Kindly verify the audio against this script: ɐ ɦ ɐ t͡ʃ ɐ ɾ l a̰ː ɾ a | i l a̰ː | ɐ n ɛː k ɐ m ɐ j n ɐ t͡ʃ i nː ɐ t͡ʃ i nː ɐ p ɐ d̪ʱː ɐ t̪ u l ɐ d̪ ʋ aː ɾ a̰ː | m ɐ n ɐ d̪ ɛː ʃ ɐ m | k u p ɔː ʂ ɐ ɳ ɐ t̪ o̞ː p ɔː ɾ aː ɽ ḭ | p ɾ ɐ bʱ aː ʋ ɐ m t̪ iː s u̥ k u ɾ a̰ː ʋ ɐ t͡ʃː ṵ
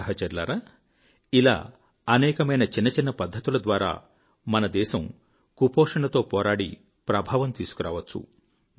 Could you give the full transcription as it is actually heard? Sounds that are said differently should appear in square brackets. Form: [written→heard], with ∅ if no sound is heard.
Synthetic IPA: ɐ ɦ ɐ t͡ʃ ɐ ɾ l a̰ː ɾ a | i l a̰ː | ɐ n ɛː k ɐ m ɐ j n ɐ t͡ʃ i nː ɐ t͡ʃ i nː ɐ p ɐ d̪ʱː ɐ t̪ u l ɐ d̪ ʋ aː ɾ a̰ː | m ɐ n ɐ d̪ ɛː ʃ ɐ m | k u p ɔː ʂ ɐ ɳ ɐ t̪ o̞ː p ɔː ɾ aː ɽ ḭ | p ɾ ɐ bʱ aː ʋ ɐ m t̪ iː s u̥ k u ɾ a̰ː ʋ ɐ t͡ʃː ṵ

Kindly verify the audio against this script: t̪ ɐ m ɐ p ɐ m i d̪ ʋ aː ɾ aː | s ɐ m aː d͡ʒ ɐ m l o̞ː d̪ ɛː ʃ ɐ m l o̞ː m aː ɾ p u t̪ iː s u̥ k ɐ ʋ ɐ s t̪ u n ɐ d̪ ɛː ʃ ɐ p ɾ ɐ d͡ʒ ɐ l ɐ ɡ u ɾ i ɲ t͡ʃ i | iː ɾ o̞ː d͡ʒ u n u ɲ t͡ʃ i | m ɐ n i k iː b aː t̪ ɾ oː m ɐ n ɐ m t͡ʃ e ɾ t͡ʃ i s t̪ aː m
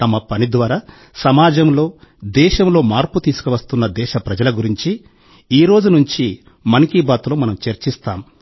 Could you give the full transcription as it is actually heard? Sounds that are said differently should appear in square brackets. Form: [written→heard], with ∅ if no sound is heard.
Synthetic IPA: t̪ ɐ m ɐ p ɐ [m→n] i d̪ ʋ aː ɾ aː | s ɐ m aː d͡ʒ ɐ m l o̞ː d̪ ɛː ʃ ɐ m l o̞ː m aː ɾ p u t̪ iː s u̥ k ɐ ʋ ɐ s t̪ u [n→nː] ɐ d̪ ɛː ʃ ɐ p ɾ ɐ d͡ʒ ɐ l ɐ ɡ u ɾ i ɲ t͡ʃ i | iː ɾ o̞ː d͡ʒ u n u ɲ t͡ʃ i | m ɐ n i k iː b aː t̪ [ɾ→l] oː m ɐ n ɐ m t͡ʃ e ɾ t͡ʃ i s t̪ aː m

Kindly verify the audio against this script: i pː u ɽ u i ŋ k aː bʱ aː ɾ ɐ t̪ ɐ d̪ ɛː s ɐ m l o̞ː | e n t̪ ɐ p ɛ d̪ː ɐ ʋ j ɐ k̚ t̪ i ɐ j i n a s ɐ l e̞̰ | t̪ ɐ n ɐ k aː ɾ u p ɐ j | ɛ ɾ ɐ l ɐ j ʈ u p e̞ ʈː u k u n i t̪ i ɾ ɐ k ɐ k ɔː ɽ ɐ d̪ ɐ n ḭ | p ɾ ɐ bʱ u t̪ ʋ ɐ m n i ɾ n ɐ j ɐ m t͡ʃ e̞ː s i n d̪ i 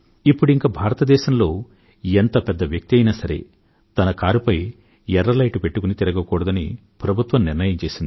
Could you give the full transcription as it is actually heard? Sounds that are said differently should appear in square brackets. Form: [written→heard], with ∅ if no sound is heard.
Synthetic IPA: i pː u ɽ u i ŋ k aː bʱ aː ɾ ɐ t̪ ɐ d̪ ɛː [s→ʃ] ɐ m l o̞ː | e n t̪ ɐ p ɛ d̪ː ɐ ʋ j ɐ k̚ t̪ i ɐ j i n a s ɐ [l→ɾ] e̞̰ | t̪ ɐ n ɐ k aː ɾ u p ɐ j | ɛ ɾ ɐ l ɐ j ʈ u p e̞ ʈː u k u n i t̪ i ɾ ɐ [k→ɡ] ɐ k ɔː ɽ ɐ d̪ ɐ n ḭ | p ɾ ɐ bʱ u t̪ ʋ ɐ m n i ɾ n ɐ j ɐ m t͡ʃ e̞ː s i n d̪ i

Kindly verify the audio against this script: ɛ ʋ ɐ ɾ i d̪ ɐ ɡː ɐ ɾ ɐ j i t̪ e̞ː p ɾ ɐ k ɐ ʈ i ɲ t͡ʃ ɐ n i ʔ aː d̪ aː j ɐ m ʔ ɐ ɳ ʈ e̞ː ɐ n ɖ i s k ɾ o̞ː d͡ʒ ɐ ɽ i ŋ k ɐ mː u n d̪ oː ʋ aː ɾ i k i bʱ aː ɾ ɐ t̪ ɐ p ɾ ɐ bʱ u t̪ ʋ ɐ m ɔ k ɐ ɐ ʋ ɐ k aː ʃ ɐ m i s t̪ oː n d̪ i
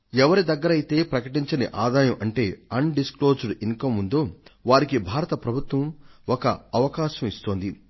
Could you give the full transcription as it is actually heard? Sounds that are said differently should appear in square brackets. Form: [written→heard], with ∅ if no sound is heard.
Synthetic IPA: ɛ ʋ ɐ ɾ i d̪ ɐ ɡː ɐ ɾ ɐ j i t̪ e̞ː p ɾ ɐ k ɐ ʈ i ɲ t͡ʃ ɐ n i ʔ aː d̪ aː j ɐ m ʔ ɐ ɳ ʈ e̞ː ɐ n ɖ i s k [ɾ→l] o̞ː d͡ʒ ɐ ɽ i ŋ k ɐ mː u n d̪ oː ʋ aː ɾ i k i bʱ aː ɾ ɐ t̪ ɐ p ɾ ɐ bʱ u t̪ ʋ ɐ m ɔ k ɐ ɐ ʋ ɐ k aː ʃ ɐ m i s t̪ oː n d̪ i

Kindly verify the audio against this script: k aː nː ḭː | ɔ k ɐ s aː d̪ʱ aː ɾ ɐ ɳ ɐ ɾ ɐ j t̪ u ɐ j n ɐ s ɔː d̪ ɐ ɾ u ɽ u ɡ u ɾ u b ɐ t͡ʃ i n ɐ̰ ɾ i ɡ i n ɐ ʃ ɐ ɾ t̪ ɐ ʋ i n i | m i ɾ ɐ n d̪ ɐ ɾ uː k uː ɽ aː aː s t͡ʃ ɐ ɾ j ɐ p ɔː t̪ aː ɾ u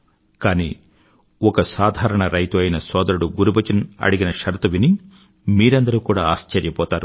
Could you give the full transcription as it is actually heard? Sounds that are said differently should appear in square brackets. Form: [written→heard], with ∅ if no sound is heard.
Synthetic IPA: k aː [nː→n] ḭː | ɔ k ɐ s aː d̪ʱ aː ɾ ɐ ɳ ɐ ɾ ɐ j t̪ u ɐ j n ɐ s ɔː d̪ ɐ ɾ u ɽ u ɡ u ɾ u b ɐ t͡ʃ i n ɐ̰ [ɾ→ɽ] i ɡ i n ɐ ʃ ɐ ɾ t̪ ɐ ʋ i n i | m [i→iː] ɾ ɐ n d̪ ɐ ɾ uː k uː ɽ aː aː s t͡ʃ ɐ ɾ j ɐ p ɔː t̪ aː ɾ u

